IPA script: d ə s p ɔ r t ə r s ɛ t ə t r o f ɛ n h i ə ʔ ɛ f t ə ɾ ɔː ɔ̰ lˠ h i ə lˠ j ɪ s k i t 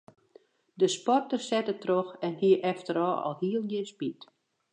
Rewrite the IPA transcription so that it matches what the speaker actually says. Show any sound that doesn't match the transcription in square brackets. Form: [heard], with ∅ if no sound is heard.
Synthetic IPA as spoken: d ə s p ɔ r t ə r s ɛ t ə t r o [x] ɛ n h i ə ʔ ɛ f t ə ɾ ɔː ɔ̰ lˠ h i ə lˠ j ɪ s [p] i t